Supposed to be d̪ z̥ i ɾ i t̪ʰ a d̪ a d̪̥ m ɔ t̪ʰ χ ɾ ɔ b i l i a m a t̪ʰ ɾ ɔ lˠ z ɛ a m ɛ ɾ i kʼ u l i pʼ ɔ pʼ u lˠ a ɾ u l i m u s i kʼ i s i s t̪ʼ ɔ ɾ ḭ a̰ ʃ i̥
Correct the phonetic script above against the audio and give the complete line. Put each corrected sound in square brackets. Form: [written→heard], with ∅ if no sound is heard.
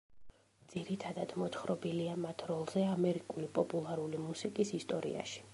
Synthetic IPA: d̪ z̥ i ɾ i t̪ʰ a d̪ a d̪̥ m ɔ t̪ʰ χ ɾ ɔ b i l i a m a t̪ʰ ɾ ɔ lˠ z ɛ a m ɛ ɾ i kʼ u l i pʼ ɔ pʼ u lˠ a ɾ u l i m u s i kʼ i s i s t̪ʼ ɔ ɾ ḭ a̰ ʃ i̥